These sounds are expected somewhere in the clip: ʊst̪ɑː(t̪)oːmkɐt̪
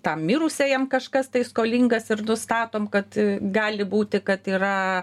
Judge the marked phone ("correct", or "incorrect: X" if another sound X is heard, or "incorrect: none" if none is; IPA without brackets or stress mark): correct